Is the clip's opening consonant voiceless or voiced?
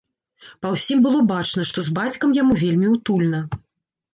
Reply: voiceless